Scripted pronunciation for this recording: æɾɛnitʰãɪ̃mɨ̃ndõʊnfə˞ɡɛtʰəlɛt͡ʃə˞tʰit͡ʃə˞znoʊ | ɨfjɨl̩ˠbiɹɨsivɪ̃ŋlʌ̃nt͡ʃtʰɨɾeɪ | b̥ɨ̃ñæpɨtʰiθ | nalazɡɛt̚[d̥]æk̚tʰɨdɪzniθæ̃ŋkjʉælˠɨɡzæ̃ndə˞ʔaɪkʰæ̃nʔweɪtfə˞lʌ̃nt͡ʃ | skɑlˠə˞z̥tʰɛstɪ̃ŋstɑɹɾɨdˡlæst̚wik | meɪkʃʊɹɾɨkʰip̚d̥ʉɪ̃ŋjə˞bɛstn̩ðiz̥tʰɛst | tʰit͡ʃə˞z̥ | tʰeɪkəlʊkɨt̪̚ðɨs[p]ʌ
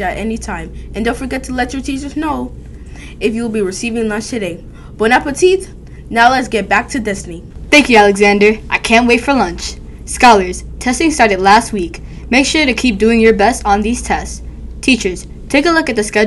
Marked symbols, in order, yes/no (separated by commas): no, no